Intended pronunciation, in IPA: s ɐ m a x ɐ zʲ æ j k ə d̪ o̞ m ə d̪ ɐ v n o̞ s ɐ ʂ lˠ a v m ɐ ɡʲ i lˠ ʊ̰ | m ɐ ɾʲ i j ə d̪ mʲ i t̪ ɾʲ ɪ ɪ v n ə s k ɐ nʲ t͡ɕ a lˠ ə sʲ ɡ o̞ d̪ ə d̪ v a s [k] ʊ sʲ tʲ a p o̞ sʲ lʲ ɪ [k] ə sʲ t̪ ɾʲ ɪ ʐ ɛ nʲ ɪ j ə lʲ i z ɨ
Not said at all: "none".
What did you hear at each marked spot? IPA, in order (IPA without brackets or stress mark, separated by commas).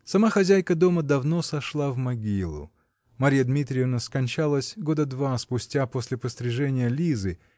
p, p